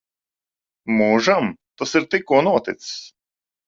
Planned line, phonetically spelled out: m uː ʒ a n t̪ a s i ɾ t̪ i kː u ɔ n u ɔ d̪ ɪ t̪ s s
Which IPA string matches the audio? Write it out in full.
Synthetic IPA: m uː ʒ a m t̪ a s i ɾ t̪ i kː u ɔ n u ɔ t̪ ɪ t̪ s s